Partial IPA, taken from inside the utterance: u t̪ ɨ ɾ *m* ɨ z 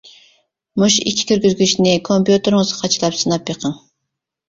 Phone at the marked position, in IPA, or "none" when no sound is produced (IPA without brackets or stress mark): ŋ